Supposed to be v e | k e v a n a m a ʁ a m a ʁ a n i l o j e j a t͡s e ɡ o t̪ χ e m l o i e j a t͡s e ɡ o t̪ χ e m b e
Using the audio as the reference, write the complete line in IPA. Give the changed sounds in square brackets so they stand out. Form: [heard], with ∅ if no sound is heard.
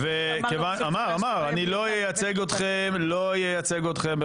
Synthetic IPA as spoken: v e | k e v a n a m a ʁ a m a ʁ a n i l o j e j a t͡s e ɡ o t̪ χ e m l o [j] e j a t͡s e ɡ o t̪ χ e m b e